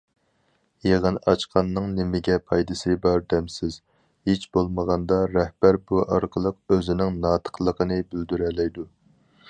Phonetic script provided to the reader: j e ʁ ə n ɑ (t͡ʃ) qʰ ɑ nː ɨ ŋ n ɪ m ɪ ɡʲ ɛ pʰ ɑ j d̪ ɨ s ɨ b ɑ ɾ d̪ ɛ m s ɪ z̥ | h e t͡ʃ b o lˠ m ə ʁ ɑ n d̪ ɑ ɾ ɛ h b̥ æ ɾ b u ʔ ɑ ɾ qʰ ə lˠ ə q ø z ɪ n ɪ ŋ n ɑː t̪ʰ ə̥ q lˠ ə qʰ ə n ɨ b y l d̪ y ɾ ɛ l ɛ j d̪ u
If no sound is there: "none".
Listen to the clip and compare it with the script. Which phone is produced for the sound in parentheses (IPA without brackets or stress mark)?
t͡ʃ